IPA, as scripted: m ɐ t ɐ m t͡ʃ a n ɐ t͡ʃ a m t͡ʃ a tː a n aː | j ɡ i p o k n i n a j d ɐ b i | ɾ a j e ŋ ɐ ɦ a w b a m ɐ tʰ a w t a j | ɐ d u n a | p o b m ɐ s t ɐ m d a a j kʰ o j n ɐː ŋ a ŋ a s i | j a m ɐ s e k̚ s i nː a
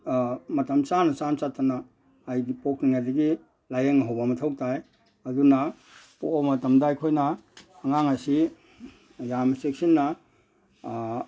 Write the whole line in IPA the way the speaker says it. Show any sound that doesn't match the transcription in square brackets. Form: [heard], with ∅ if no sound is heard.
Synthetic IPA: m ɐ t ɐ m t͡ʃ a n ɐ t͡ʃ a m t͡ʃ a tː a n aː | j ɡ i p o k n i [ŋ] a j d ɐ [ɡ] i | [l] a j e ŋ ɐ ɦ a w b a m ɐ tʰ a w t a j | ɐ d u n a | p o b m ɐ [∅] t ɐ m d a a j kʰ o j n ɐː ŋ a ŋ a s i | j a m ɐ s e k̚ s i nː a